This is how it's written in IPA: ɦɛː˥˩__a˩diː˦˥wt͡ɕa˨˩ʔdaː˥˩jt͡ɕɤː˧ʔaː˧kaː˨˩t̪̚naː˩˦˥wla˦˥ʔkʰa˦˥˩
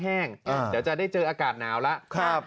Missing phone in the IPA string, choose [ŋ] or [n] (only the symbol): ŋ